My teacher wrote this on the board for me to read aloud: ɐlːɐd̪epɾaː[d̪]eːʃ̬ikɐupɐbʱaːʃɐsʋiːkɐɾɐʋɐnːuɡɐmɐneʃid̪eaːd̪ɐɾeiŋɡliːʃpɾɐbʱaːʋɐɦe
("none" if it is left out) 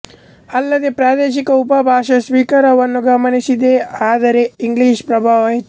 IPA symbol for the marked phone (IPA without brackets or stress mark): d̪